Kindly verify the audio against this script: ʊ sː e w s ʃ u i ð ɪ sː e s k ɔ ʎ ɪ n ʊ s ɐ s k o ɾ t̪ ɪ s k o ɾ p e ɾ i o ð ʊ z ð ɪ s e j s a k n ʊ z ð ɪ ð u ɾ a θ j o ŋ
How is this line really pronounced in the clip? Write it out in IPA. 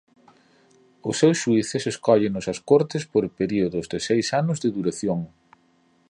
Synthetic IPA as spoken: ʊ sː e w s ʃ u i θ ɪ s e s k ɔ ʎ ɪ n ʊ s ɐ s k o ɾ t̪ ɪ s p o ɾ p e ɾ i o ð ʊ z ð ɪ s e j s a n ʊ z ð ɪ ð u ɾ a θ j o ŋ